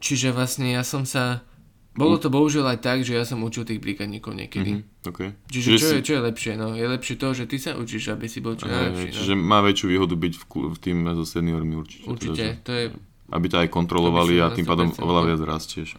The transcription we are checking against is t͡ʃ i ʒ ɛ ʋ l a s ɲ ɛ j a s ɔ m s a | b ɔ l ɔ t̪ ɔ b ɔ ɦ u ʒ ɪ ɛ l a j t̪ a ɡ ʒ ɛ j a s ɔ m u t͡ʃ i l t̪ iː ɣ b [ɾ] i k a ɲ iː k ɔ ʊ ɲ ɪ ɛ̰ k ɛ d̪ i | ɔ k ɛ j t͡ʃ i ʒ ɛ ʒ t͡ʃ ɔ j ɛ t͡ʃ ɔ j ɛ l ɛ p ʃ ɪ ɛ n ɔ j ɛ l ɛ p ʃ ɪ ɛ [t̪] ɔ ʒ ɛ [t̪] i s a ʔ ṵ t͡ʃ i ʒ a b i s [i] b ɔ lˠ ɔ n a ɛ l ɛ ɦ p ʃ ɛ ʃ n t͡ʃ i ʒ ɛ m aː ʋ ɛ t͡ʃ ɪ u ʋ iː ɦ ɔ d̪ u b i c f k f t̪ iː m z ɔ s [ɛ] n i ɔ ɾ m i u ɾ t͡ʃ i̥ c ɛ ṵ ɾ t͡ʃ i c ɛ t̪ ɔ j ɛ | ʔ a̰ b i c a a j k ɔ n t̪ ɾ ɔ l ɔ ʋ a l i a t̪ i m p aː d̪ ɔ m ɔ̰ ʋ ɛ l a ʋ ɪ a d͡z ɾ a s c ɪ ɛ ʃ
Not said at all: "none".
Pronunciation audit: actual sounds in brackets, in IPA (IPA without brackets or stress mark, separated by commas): ɾ, t̪, t̪, i, ɛ